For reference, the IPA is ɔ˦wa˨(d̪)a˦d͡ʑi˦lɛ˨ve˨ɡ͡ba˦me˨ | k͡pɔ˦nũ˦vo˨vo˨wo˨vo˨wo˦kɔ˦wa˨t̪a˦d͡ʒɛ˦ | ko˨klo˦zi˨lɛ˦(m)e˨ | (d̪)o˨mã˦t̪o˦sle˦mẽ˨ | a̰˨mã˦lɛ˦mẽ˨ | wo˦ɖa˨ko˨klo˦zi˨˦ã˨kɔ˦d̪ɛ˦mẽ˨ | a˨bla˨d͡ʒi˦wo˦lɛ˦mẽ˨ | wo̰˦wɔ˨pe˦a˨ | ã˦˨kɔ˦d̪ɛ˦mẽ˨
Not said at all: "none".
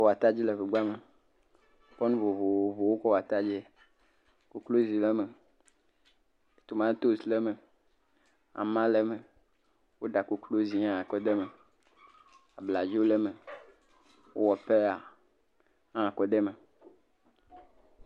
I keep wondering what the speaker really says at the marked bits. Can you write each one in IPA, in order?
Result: t̪, m, t̪

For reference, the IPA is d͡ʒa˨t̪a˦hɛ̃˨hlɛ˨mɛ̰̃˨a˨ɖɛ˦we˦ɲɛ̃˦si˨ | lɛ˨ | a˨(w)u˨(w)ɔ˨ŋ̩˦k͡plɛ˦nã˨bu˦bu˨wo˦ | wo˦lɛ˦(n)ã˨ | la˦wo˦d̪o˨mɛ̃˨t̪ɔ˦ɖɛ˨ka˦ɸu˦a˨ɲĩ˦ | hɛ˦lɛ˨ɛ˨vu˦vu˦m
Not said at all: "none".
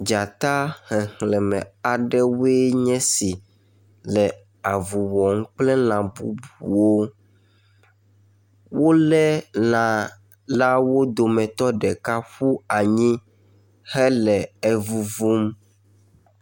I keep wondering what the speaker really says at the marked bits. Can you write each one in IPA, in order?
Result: v, w, n

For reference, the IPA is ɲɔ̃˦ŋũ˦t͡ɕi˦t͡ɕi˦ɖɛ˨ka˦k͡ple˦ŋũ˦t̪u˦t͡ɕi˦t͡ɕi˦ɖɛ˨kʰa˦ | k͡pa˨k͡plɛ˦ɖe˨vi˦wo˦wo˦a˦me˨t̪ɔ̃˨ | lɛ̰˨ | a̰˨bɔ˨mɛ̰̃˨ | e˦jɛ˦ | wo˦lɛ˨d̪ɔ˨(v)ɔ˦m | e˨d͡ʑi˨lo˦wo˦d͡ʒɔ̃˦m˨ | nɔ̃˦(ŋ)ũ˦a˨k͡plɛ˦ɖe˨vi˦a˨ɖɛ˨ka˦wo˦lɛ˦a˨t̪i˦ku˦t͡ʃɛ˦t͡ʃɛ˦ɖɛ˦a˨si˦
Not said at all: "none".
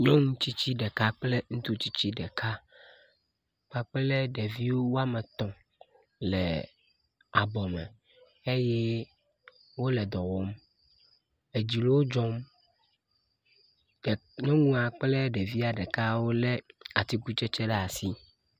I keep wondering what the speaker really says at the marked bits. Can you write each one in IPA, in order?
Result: w, ŋ

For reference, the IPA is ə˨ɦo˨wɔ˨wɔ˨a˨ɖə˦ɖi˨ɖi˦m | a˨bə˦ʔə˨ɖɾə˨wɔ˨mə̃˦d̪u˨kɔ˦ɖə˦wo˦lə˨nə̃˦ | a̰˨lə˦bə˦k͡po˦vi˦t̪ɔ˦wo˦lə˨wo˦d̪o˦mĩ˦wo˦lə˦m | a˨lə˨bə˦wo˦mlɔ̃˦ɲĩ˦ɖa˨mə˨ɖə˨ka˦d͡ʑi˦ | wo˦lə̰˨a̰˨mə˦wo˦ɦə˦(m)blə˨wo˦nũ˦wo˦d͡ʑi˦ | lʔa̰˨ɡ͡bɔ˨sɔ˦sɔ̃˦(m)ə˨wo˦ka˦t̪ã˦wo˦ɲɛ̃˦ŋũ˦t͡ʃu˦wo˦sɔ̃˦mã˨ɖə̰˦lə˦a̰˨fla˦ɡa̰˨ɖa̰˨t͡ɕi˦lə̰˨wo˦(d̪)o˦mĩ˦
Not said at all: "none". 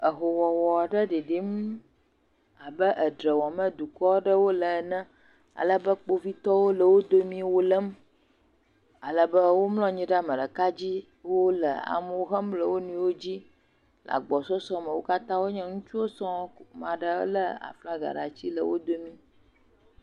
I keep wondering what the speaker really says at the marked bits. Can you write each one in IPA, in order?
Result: m, m, d̪

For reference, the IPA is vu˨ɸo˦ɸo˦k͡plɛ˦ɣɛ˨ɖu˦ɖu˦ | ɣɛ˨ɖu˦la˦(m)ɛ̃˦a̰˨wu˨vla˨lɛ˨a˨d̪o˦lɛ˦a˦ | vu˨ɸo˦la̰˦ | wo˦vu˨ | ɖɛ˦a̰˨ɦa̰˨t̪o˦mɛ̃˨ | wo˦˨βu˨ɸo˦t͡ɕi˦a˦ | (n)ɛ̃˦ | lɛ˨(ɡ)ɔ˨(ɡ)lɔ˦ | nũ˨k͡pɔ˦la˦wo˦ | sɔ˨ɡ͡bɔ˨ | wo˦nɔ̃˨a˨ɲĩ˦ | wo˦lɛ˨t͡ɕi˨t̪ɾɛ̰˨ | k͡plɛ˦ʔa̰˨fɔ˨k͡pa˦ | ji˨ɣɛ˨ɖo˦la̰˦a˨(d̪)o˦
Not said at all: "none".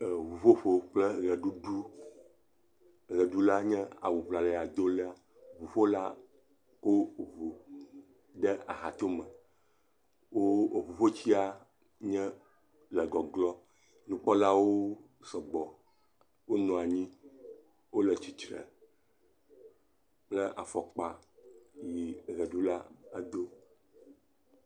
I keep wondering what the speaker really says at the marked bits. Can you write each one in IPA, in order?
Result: ɲ, ɲ, ɡ, ɡ, d̪

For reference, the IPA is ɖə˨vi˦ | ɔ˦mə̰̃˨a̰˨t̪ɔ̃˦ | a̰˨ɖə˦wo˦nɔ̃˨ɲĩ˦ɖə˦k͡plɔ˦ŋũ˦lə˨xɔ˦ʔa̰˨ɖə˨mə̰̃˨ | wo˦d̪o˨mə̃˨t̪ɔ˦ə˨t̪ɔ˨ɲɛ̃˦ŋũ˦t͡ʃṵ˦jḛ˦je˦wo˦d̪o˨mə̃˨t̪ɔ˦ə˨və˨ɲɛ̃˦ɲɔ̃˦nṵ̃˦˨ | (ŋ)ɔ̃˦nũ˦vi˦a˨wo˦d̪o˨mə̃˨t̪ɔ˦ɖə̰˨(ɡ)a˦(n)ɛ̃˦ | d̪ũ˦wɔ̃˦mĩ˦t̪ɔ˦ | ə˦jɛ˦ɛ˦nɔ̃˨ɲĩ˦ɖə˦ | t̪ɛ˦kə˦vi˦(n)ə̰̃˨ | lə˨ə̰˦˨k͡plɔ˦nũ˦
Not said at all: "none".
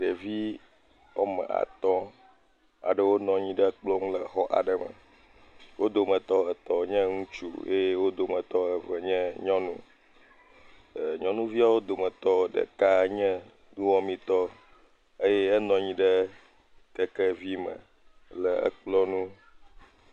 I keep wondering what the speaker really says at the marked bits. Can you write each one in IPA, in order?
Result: ɲ, k, ɲ, m

